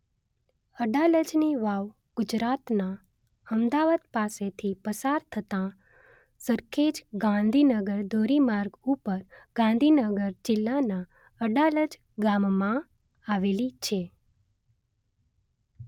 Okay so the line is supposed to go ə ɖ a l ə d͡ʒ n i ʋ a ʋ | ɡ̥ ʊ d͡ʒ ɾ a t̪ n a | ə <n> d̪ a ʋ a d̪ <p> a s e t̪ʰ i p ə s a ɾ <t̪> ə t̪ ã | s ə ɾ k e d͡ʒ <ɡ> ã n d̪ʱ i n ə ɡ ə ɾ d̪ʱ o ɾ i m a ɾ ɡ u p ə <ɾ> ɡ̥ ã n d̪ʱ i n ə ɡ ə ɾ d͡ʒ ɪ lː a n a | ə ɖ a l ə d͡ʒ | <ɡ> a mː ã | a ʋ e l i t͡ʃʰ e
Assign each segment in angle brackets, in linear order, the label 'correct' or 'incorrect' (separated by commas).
incorrect, correct, incorrect, correct, correct, correct